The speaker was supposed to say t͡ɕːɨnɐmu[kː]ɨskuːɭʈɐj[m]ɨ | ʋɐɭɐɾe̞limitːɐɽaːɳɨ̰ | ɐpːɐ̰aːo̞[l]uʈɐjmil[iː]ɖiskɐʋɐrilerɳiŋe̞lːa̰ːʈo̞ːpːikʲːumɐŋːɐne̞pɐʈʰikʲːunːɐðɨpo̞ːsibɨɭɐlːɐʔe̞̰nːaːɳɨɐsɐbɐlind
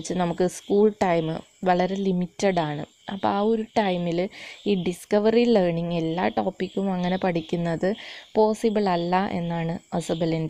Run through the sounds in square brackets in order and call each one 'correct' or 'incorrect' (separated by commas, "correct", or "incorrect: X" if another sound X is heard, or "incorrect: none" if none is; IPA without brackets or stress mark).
correct, correct, incorrect: ɾ, correct